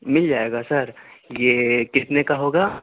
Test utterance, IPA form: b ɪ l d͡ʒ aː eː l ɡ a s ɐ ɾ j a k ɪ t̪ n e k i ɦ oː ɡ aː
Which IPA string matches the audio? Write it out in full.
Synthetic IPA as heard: m ɪ l d͡ʒ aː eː ɡ a s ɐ ɾ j e k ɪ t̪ n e k a ɦ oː ɡ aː